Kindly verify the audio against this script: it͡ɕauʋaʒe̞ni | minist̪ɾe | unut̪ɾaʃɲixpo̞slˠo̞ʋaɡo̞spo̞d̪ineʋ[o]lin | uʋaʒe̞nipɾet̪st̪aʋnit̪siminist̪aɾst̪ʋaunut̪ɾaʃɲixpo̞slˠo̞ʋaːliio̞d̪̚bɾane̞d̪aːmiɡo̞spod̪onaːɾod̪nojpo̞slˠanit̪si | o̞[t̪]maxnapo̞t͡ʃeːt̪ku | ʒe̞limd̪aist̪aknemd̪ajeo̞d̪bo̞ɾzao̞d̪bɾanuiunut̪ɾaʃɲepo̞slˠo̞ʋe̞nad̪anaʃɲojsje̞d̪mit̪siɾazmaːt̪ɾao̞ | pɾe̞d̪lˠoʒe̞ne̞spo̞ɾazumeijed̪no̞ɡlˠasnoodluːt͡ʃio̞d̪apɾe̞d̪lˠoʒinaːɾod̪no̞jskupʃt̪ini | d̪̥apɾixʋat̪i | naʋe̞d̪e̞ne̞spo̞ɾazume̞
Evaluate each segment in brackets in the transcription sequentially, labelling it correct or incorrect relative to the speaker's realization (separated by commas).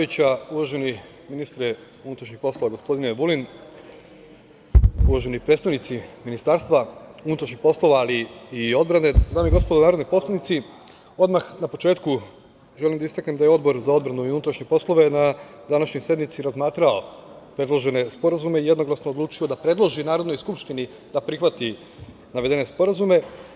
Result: incorrect, incorrect